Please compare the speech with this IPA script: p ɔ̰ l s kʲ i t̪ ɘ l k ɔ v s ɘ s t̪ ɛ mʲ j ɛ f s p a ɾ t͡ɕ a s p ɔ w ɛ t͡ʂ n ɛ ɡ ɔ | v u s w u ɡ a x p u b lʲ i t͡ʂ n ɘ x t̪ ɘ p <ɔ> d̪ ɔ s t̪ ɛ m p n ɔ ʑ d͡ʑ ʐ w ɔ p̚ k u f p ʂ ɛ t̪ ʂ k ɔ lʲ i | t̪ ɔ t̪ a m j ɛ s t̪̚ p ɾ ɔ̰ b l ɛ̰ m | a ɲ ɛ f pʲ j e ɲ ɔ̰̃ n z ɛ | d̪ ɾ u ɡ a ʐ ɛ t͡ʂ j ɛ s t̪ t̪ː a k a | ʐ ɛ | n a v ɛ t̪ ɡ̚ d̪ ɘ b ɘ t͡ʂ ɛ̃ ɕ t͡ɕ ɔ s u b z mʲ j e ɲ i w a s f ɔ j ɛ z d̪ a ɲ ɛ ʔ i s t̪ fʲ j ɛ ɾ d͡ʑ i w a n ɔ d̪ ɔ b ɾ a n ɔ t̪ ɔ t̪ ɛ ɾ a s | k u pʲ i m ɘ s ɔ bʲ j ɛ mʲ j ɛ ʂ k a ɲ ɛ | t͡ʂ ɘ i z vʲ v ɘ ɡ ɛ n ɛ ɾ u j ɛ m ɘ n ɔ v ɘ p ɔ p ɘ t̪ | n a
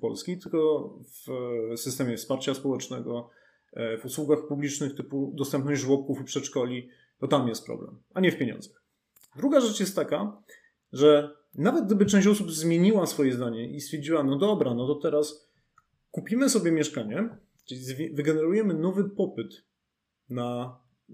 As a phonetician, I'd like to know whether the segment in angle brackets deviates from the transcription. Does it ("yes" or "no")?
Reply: yes